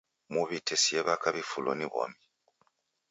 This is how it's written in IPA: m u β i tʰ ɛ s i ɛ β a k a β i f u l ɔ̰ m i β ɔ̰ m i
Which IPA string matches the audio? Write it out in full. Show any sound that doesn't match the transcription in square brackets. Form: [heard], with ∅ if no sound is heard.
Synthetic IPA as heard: m u β i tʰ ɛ s i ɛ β a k a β i f u l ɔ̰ [n] i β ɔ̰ m i